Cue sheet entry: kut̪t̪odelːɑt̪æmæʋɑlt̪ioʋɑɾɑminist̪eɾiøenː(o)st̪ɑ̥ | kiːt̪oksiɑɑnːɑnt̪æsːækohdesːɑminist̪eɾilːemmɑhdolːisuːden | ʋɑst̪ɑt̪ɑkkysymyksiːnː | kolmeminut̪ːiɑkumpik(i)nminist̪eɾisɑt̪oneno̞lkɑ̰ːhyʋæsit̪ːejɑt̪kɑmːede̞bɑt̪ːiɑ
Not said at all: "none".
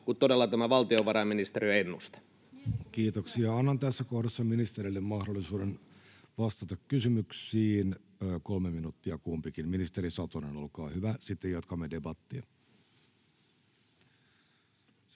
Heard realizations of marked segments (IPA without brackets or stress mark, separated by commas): u, i